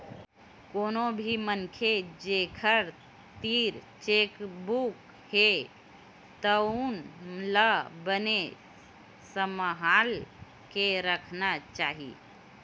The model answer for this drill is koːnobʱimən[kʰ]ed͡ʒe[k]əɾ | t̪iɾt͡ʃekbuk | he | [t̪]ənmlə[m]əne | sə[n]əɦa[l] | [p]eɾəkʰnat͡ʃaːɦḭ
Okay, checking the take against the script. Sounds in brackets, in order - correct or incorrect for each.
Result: correct, incorrect: kʰ, correct, incorrect: b, incorrect: m, correct, incorrect: k

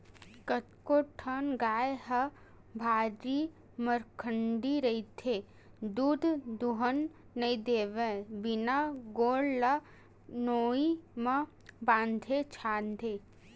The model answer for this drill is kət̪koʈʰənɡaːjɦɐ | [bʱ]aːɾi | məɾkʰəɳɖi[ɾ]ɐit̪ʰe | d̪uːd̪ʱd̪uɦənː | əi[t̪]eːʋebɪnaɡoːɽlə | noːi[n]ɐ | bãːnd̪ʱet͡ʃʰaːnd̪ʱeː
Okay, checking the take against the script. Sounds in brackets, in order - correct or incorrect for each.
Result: correct, correct, incorrect: d̪, incorrect: m

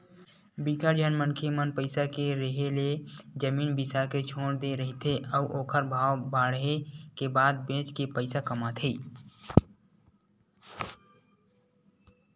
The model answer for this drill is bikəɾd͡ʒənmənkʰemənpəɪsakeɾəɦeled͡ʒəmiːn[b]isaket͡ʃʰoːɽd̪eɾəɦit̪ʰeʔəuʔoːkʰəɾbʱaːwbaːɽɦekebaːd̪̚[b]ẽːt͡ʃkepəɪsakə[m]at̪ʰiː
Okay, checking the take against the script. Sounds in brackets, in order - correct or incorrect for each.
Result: correct, correct, correct

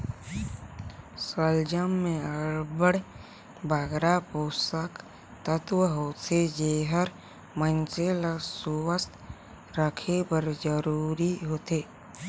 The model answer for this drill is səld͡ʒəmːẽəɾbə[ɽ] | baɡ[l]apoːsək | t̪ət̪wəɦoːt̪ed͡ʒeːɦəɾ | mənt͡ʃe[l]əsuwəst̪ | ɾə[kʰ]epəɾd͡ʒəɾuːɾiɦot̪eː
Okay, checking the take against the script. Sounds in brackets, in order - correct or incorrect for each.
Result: correct, incorrect: ɾ, correct, correct

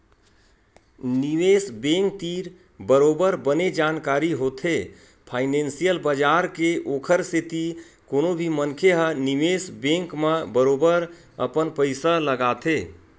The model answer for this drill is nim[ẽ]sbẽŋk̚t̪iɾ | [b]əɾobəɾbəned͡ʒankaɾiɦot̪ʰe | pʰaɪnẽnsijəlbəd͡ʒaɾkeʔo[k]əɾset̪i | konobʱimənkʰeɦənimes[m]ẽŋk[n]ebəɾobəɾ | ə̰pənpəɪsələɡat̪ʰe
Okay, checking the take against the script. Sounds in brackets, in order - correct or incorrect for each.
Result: incorrect: e, correct, incorrect: kʰ, incorrect: b, incorrect: m

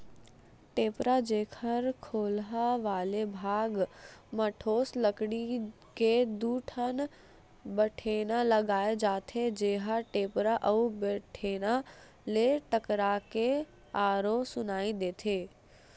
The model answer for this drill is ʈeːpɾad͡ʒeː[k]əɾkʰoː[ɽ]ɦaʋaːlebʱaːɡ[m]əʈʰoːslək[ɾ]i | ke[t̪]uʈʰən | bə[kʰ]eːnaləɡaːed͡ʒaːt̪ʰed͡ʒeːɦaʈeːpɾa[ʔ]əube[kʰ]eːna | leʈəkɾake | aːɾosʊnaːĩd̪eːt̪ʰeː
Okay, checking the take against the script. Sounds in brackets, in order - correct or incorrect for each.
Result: incorrect: kʰ, incorrect: l, correct, incorrect: ɽ, incorrect: d̪, incorrect: ʈʰ, correct, incorrect: ʈʰ

